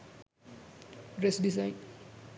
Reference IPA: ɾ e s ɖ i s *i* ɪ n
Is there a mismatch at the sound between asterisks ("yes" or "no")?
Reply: yes